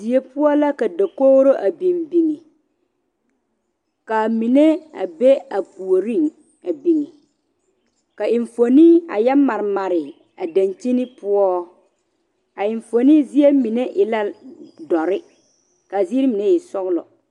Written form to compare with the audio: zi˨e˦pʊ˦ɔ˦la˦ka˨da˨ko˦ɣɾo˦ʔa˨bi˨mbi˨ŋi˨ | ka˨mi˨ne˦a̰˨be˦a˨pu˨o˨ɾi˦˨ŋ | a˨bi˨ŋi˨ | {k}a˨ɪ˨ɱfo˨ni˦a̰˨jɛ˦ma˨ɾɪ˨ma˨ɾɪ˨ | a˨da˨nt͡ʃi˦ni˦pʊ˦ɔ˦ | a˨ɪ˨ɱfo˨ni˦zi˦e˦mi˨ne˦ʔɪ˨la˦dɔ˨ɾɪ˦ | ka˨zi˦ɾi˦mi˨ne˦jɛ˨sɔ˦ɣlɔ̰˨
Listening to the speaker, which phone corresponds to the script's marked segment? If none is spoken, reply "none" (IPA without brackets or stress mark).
k